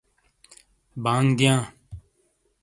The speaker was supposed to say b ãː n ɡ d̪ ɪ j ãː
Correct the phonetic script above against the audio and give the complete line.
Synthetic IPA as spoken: b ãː ŋ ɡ d̪ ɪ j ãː